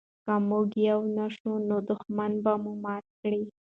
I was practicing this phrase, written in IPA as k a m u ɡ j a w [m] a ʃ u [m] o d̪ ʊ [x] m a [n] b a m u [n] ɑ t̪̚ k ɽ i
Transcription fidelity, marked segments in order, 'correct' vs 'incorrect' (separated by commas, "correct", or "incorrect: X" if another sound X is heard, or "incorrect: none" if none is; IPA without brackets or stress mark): incorrect: n, incorrect: n, correct, correct, incorrect: m